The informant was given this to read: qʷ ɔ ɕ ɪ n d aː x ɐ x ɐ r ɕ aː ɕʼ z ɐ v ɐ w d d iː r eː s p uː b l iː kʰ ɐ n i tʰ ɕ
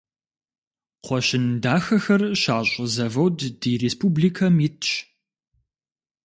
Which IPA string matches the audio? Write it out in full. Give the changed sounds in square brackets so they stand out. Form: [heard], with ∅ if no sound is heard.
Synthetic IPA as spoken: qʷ ɔ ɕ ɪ n d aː x ɐ x ɐ r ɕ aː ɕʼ z ɐ v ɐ w d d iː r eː s p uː b l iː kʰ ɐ [m] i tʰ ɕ